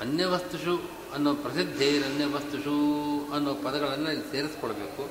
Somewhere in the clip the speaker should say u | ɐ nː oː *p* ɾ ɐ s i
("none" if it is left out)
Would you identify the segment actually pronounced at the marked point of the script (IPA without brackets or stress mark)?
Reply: p